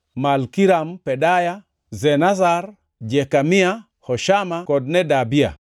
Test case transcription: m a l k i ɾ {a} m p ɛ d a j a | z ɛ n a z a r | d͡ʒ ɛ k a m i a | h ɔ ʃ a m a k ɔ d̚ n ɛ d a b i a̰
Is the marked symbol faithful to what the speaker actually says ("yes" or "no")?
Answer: yes